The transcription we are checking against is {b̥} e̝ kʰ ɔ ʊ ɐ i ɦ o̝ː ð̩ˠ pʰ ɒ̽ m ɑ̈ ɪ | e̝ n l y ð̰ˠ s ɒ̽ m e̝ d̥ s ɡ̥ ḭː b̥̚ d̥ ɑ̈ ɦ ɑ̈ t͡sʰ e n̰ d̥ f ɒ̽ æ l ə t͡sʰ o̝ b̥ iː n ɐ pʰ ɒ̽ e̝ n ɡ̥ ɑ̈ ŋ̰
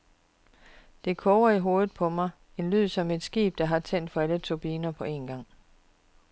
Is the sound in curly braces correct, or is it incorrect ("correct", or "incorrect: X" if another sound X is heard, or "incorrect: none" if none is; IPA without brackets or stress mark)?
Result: incorrect: d̥